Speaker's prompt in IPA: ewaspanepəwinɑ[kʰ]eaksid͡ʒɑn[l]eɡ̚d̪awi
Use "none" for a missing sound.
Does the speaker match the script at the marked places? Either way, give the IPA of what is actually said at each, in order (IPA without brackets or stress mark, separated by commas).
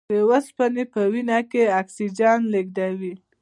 k, l